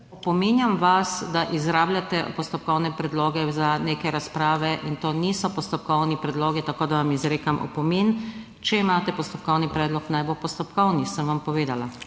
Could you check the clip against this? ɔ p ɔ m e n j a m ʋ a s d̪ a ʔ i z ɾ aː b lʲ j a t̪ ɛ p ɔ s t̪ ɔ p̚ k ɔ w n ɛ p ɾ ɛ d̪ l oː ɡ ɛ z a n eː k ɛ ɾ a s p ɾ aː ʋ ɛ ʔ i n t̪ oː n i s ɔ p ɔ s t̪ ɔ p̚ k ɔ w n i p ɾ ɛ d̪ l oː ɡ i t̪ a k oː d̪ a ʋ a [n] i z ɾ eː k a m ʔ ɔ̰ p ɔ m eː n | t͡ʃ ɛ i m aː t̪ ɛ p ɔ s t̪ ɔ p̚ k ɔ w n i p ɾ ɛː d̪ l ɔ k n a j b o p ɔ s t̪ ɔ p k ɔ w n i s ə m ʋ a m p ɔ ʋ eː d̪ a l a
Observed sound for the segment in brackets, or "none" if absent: m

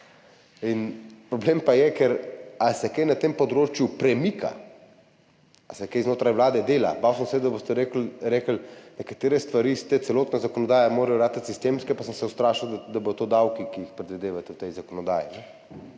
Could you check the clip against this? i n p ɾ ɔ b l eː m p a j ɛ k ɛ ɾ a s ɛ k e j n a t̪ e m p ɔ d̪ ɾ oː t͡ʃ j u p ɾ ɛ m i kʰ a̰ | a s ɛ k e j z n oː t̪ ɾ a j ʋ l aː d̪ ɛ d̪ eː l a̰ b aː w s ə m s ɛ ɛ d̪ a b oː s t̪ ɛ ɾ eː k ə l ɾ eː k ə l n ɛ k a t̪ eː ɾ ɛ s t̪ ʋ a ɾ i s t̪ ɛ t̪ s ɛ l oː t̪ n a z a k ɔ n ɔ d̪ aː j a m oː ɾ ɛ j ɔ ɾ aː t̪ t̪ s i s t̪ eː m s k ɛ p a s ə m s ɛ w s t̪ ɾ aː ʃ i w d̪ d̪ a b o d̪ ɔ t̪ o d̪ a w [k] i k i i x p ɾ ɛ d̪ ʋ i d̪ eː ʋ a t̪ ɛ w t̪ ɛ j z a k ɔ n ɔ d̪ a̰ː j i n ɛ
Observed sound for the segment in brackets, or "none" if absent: k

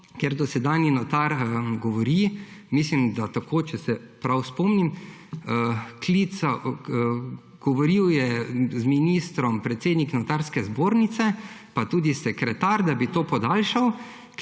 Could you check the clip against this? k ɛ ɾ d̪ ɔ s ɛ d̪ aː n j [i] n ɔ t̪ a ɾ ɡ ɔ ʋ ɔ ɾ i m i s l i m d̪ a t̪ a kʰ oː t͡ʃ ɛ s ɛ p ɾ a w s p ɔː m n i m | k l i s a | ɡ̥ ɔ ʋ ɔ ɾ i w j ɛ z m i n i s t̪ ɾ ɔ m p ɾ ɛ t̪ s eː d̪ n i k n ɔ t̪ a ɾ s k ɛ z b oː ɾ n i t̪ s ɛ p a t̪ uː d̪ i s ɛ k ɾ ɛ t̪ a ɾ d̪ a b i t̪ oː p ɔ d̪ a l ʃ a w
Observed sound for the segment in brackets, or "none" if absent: i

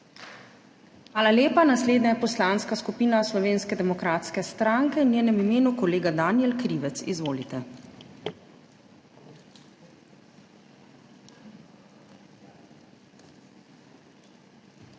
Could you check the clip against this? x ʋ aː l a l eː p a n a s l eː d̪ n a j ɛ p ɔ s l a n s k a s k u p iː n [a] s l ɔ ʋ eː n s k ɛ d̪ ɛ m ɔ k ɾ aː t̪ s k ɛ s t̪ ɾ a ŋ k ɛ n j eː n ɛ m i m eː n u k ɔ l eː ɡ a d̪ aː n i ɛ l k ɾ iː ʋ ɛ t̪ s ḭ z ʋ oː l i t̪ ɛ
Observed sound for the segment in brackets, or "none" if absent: a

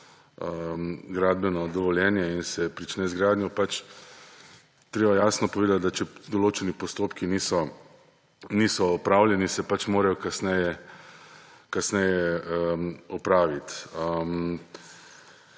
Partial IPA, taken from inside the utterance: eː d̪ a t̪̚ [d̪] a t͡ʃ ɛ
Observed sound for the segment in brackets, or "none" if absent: d̪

